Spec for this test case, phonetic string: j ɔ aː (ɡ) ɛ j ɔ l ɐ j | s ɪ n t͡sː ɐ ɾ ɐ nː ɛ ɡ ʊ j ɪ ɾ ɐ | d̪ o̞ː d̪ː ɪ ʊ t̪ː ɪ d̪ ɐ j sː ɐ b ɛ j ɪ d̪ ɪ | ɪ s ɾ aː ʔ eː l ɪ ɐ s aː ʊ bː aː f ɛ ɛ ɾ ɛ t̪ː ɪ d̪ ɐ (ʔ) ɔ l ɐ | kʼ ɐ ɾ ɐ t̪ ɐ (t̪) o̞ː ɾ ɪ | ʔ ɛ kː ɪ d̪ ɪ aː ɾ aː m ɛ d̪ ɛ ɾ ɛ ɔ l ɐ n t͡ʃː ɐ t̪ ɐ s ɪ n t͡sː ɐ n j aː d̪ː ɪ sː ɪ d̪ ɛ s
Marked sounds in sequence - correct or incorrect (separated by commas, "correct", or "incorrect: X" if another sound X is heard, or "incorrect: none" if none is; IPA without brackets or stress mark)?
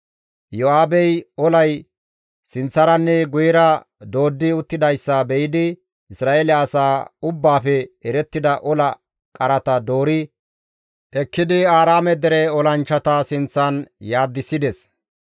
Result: incorrect: b, correct, incorrect: d̪